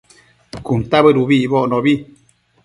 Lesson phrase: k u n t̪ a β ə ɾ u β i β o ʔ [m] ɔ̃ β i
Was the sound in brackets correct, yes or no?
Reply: no